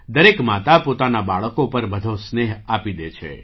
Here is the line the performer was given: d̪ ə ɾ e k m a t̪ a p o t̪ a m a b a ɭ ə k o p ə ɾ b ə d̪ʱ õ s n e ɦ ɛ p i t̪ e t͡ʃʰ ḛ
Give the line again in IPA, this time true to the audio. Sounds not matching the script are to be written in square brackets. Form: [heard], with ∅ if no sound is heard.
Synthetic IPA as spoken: d̪ ə ɾ e k m a t̪ a p o t̪ a [n] a b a ɭ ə k o p ə ɾ b ə d̪ʱ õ s n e ɦ [a] p i [d̪] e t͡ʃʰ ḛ